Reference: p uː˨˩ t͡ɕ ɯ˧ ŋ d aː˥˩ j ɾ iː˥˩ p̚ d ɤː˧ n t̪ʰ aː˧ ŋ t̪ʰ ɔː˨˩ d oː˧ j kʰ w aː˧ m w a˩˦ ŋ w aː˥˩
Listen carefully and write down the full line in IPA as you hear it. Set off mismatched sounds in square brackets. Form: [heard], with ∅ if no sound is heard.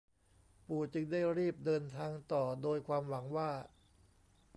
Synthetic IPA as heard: p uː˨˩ t͡ɕ ɯ˧ ŋ d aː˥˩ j ɾ iː˥˩ p̚ d ɤː˧ n t̪ʰ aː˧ ŋ [t̪] ɔː˨˩ d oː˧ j kʰ w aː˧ m w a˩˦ ŋ w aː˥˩